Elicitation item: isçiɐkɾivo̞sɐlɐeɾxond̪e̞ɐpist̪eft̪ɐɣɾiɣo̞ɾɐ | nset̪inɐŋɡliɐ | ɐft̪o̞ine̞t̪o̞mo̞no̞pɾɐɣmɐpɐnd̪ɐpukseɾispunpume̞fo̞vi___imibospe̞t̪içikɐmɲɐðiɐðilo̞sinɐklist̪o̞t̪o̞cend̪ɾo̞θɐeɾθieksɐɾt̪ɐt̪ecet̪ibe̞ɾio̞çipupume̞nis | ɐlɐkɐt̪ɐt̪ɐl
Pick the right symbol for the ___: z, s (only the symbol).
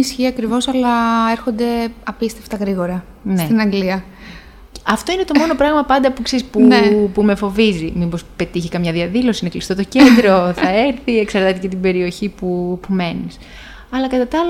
z